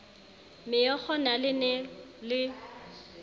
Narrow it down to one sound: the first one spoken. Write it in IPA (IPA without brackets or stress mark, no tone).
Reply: m